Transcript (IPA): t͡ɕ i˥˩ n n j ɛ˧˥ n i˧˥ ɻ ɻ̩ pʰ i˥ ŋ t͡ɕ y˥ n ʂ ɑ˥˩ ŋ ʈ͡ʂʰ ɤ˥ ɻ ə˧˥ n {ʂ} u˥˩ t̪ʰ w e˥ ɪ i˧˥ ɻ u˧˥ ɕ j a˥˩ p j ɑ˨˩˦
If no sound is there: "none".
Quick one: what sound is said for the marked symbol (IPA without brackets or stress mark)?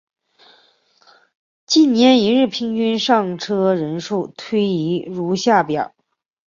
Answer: ʂ